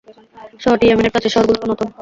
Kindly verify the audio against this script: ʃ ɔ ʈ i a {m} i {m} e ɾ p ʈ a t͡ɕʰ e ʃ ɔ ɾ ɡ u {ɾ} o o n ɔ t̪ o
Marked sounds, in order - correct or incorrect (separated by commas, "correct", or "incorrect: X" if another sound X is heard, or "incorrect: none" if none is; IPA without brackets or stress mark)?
correct, incorrect: n, incorrect: l